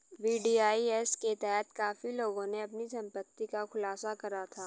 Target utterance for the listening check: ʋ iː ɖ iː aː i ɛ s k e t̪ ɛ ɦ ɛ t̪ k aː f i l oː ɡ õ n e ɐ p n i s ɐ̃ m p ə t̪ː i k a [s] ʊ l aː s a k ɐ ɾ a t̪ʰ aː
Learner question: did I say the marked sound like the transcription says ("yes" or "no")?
no